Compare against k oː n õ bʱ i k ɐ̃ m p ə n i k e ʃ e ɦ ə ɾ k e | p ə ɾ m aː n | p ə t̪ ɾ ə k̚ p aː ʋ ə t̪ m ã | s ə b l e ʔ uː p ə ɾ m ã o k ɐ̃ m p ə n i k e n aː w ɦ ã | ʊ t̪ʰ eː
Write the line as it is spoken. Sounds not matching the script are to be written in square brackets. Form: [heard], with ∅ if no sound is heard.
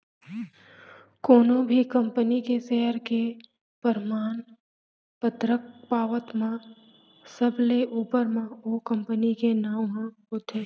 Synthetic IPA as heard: k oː n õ bʱ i k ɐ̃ m p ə n i k e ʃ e ɦ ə ɾ k e | p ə ɾ m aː n | p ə t̪ ɾ ə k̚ p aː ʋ ə t̪ m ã | s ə b l e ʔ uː p ə ɾ m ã o k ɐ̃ m p ə n i k e n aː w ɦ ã | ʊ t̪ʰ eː